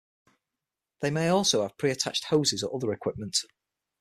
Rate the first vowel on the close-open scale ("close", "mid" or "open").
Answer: mid